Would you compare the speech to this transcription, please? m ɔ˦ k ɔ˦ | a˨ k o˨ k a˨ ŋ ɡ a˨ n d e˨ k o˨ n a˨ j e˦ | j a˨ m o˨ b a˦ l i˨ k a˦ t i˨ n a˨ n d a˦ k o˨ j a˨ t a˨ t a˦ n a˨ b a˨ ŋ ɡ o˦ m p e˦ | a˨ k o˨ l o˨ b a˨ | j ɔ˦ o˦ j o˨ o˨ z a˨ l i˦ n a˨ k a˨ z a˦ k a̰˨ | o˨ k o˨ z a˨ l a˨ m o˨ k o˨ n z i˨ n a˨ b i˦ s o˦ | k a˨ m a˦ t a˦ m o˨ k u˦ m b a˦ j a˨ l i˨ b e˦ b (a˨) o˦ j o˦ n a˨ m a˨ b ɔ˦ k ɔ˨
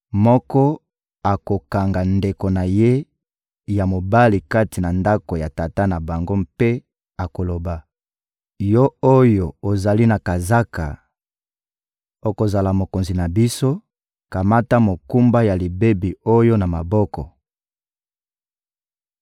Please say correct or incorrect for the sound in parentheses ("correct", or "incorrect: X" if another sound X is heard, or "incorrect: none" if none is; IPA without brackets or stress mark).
incorrect: i˨